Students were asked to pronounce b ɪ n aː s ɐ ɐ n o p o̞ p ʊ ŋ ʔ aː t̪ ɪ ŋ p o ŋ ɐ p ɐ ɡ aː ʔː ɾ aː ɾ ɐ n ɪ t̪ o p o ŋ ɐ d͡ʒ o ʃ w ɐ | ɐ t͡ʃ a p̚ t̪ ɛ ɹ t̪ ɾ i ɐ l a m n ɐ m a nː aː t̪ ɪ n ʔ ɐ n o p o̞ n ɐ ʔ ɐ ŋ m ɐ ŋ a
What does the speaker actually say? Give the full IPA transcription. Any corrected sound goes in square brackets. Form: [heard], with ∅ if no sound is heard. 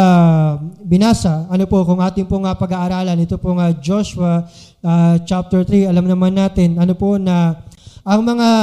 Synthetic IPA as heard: b ɪ n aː s ɐ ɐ n o p o̞ [k] ʊ ŋ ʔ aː t̪ ɪ ŋ p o ŋ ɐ p ɐ ɡ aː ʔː ɾ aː [l] ɐ n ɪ t̪ o p o ŋ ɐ d͡ʒ o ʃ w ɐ | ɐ t͡ʃ a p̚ t̪ ɛ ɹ t̪ ɾ i ɐ l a m n ɐ m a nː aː t̪ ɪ n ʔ ɐ n o p o̞ n ɐ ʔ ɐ ŋ m ɐ ŋ a